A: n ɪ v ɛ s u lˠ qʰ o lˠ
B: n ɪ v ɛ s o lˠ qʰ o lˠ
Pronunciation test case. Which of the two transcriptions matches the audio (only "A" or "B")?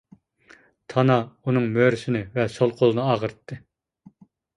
B